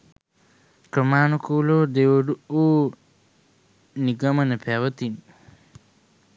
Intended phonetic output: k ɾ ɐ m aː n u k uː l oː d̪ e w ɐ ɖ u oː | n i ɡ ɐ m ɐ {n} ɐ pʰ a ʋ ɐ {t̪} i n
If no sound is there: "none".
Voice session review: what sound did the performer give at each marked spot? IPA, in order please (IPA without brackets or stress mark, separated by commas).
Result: n, t̪